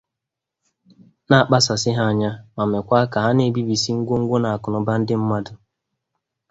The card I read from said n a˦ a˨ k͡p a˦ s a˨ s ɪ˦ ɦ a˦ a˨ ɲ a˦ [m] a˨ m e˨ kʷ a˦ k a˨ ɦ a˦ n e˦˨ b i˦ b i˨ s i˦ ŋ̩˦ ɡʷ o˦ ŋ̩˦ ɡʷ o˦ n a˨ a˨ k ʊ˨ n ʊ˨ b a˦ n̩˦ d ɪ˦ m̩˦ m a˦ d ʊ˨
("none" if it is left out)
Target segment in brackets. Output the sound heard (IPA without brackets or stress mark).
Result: m